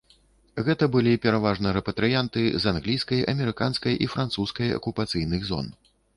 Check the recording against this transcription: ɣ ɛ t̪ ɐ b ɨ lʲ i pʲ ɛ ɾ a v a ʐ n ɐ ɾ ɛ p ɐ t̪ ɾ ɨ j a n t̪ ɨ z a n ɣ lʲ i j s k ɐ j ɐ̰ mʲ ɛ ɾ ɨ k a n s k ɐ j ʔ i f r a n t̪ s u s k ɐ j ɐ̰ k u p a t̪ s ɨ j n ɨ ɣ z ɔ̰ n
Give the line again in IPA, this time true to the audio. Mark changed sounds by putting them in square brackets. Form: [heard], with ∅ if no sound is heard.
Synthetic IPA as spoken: ɣ ɛ t̪ ɐ b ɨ lʲ i pʲ ɛ ɾ a v a ʐ n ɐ ɾ ɛ p ɐ t̪ ɾ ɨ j a n t̪ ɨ z a n ɣ lʲ i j s k ɐ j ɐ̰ mʲ ɛ ɾ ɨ k a n s k ɐ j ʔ i f [ɾ] a n t̪ s u s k ɐ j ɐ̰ k u p a t̪ s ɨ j n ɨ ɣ z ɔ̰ n